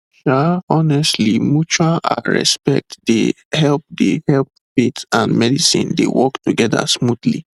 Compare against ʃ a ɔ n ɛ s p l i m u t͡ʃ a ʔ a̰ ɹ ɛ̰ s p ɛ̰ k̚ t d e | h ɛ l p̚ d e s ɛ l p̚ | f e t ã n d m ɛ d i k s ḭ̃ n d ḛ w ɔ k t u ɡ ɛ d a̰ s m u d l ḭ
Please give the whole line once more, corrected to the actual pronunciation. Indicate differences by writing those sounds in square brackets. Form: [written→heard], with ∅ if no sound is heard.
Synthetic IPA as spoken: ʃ a ɔ n ɛ s [p→t] l i m u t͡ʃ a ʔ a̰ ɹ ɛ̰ s p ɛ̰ k̚ t d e | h ɛ l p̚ d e [s→h] ɛ l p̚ | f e t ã n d m ɛ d i [k→∅] s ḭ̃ n d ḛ w ɔ k t u ɡ ɛ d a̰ s m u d l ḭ